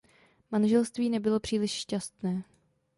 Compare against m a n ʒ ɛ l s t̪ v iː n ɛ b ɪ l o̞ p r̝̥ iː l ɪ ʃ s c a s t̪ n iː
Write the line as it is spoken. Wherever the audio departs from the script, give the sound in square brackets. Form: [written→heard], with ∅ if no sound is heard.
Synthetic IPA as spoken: m a n ʒ ɛ l s t̪ v iː n ɛ b ɪ l o̞ p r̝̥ iː l ɪ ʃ [s→ʃ] c a s t̪ n [iː→ɛː]

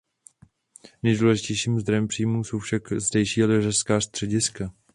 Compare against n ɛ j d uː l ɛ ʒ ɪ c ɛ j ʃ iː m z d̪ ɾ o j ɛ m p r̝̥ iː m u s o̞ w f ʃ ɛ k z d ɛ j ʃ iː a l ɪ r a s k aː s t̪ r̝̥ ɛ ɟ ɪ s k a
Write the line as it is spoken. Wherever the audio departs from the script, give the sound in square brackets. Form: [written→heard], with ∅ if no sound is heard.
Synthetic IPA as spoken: n ɛ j d uː l ɛ ʒ ɪ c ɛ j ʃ iː m z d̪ ɾ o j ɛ m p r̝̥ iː m u s o̞ w f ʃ [ɛ→a] k z d ɛ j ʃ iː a l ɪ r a s k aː s t̪ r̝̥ ɛ ɟ ɪ s k a

